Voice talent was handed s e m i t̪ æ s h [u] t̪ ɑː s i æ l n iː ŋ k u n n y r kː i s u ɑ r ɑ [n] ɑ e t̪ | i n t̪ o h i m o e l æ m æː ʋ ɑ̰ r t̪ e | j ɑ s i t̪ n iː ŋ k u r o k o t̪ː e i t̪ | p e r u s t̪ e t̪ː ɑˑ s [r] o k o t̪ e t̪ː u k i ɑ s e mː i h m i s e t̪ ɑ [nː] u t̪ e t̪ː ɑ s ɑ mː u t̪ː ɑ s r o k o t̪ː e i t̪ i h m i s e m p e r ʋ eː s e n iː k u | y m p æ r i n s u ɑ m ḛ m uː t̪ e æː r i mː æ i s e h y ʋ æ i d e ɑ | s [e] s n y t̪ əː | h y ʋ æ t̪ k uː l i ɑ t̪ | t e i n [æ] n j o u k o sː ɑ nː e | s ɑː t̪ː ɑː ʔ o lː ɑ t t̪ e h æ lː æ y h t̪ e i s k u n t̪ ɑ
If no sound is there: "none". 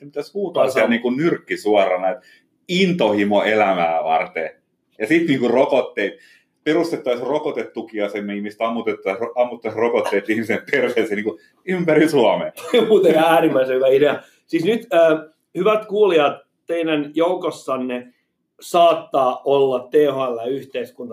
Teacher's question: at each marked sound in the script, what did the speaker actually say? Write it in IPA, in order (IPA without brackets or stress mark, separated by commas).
uː, n, r, mː, i, æ